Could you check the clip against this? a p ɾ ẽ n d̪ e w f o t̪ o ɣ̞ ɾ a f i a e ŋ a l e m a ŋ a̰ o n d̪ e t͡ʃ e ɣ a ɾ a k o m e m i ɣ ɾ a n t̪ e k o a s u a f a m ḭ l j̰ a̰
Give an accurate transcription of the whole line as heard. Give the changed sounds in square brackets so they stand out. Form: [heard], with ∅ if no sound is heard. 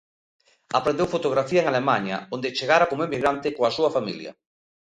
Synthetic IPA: a p ɾ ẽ n d̪ e w f o t̪ o ɣ̞ ɾ a f i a e ŋ a l e m a [ɲ] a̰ o n d̪ e t͡ʃ e ɣ a ɾ a k o m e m i ɣ ɾ a n t̪ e k o a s u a f a m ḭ l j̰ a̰